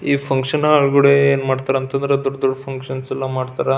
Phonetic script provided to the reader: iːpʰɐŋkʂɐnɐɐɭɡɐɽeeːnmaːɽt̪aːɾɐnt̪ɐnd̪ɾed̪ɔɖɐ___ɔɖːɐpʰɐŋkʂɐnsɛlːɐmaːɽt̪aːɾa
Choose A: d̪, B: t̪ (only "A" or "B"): A